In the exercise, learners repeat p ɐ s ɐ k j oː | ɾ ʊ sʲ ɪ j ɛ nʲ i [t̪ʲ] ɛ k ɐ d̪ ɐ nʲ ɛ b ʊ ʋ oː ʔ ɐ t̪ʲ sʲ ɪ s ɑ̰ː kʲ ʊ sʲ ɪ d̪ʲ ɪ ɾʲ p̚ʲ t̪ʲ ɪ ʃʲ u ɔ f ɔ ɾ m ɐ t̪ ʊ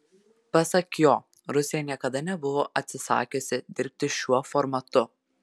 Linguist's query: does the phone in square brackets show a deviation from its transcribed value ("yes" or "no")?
yes